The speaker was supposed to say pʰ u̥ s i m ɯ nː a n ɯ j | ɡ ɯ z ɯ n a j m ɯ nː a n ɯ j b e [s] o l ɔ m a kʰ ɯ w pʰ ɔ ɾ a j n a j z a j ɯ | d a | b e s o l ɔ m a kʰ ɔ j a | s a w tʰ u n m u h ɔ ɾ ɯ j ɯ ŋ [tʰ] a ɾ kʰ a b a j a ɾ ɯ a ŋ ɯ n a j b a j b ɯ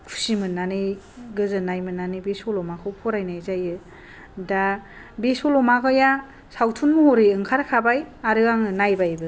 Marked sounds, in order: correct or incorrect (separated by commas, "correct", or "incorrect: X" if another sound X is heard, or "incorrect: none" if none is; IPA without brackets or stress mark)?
correct, incorrect: kʰ